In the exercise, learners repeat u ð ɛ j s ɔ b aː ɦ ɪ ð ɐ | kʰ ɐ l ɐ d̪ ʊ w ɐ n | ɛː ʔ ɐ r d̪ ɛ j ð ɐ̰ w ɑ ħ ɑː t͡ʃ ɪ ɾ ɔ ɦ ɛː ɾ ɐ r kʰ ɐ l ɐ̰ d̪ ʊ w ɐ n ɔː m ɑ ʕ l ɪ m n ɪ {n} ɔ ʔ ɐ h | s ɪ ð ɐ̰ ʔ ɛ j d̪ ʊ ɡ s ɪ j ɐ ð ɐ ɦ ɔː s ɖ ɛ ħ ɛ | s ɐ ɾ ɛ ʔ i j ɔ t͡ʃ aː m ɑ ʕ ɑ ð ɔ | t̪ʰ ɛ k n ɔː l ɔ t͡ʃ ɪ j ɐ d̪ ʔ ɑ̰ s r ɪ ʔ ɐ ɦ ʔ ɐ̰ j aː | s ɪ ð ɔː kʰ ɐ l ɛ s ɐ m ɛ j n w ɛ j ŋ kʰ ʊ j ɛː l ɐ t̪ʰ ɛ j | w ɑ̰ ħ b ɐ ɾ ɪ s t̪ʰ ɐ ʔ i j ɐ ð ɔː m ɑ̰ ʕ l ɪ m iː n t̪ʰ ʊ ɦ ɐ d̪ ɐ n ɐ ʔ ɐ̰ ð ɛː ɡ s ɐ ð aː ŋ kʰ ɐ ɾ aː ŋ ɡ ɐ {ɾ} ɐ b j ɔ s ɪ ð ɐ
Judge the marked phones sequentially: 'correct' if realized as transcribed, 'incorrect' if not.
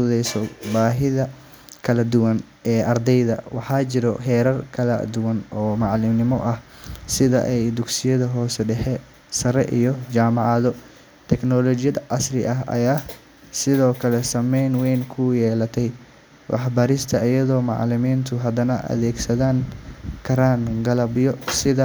incorrect: m, incorrect: l

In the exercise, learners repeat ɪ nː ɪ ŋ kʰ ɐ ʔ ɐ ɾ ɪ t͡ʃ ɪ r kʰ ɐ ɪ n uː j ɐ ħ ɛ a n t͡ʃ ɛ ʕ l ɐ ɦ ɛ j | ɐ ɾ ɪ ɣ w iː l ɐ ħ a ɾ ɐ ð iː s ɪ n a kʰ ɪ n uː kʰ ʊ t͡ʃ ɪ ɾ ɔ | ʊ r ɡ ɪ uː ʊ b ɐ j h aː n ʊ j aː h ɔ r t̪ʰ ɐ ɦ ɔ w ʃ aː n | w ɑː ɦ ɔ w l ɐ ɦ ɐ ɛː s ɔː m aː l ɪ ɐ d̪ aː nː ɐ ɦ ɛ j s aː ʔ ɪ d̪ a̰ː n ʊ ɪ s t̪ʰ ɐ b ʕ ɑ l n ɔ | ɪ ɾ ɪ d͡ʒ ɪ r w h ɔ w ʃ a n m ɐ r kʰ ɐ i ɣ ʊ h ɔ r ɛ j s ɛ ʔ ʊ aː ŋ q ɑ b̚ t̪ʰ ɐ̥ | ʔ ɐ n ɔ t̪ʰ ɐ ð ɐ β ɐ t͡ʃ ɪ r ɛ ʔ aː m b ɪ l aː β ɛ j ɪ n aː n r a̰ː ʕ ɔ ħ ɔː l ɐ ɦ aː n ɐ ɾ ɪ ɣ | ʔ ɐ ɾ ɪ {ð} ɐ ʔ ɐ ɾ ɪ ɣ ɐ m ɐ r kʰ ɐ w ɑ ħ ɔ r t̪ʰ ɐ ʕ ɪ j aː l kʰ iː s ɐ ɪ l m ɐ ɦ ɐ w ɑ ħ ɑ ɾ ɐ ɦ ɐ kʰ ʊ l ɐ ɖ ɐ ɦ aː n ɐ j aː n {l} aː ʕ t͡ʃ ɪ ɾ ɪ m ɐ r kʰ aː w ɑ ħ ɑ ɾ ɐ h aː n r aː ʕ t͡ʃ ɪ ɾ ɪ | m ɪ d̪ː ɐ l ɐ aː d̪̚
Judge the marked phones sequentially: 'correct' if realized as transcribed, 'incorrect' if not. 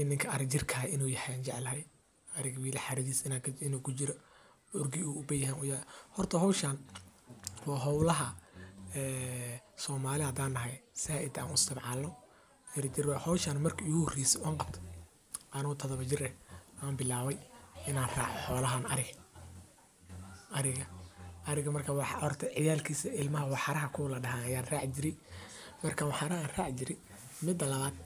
incorrect: ɣ, incorrect: r

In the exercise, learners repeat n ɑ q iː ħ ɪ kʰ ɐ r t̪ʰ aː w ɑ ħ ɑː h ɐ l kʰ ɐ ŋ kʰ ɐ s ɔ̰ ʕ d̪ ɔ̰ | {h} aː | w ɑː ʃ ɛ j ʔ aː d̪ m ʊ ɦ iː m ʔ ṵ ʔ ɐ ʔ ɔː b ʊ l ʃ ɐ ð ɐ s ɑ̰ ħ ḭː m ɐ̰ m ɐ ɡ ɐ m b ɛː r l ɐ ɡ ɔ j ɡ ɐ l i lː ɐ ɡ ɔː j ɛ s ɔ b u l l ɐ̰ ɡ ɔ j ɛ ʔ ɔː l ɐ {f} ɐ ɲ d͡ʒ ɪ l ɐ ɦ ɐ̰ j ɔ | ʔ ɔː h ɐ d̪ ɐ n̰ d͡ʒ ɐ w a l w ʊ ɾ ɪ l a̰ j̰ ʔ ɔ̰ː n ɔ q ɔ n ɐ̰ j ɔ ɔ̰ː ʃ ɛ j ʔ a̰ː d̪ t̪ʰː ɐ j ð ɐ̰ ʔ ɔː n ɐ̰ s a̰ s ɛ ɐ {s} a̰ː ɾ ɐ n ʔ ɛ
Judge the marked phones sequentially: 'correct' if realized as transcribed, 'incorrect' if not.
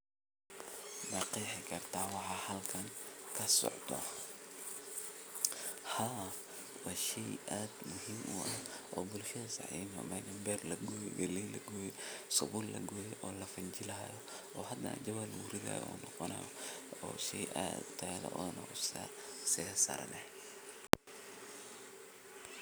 correct, correct, correct

